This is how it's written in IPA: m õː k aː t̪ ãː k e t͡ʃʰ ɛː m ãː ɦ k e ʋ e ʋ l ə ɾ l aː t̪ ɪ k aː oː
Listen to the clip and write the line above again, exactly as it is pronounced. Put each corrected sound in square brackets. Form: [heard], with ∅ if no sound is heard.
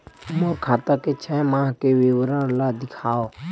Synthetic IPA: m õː [kʰ] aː t̪ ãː k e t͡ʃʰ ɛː m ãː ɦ k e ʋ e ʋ [ɾ] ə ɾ l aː [d̪] ɪ [kʰ] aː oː